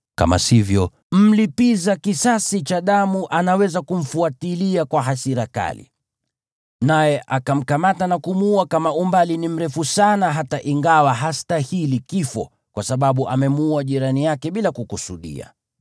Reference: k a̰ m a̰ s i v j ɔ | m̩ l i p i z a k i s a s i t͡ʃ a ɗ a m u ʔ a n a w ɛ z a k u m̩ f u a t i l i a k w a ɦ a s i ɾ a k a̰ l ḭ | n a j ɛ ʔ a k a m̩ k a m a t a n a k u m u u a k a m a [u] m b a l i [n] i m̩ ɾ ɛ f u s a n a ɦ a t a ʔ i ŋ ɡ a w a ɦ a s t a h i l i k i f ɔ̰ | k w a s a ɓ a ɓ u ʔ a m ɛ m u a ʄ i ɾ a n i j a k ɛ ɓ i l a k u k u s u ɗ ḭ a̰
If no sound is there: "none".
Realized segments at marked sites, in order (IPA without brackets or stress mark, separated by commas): u, n